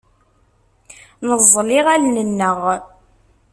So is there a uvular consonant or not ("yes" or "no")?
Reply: yes